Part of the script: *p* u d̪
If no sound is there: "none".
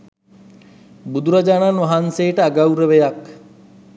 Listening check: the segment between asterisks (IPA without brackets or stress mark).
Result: b